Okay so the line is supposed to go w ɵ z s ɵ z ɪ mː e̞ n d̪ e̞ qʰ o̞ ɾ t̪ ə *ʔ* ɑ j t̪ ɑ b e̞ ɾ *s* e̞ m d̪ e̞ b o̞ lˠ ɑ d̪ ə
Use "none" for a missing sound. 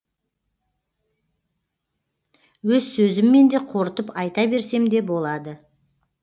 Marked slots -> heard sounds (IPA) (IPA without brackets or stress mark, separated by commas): p, s